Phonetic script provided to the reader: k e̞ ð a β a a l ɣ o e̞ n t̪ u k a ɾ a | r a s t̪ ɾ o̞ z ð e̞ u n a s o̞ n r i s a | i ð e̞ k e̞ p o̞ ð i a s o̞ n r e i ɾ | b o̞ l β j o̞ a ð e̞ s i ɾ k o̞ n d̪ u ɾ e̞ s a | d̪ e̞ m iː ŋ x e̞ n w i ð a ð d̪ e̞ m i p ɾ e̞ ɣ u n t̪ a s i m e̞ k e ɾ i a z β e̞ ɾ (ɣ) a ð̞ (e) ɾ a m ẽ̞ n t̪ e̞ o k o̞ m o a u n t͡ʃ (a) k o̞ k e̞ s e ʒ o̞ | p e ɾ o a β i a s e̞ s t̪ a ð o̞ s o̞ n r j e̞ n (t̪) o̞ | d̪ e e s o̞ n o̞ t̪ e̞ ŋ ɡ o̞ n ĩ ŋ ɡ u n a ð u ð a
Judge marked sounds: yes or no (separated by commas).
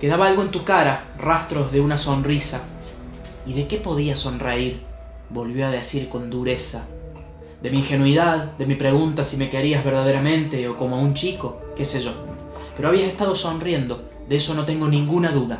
no, yes, no, no